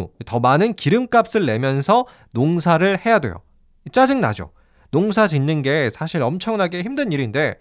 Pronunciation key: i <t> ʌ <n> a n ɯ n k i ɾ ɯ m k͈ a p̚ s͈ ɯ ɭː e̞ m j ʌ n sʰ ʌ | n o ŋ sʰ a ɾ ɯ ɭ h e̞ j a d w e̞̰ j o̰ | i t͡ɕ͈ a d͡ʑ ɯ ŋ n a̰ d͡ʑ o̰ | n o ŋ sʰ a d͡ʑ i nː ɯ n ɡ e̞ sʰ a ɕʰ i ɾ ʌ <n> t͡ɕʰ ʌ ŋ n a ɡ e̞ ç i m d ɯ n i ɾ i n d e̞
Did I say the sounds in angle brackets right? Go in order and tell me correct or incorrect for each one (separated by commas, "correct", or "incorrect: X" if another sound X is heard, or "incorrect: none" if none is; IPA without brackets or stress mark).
correct, incorrect: m, incorrect: m